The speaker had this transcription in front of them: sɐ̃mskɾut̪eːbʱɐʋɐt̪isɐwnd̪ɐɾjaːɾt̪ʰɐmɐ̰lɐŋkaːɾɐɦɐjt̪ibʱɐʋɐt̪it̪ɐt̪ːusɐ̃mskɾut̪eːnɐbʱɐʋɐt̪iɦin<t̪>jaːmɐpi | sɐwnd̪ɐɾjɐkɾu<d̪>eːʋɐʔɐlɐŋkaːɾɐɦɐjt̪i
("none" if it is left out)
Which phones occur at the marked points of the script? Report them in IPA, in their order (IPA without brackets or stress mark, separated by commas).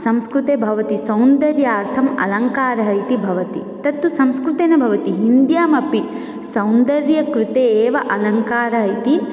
d̪, t̪